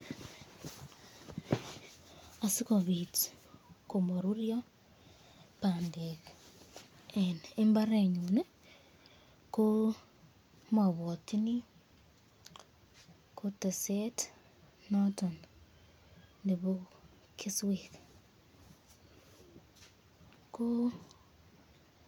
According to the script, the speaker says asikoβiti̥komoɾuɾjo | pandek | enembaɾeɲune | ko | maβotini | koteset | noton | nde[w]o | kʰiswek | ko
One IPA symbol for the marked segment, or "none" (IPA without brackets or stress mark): β